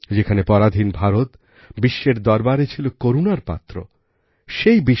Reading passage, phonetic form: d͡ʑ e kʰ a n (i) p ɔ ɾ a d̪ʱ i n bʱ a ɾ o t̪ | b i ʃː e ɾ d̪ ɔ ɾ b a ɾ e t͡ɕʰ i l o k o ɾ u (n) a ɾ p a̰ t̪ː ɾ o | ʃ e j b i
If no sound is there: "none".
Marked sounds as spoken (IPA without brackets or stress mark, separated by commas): e, n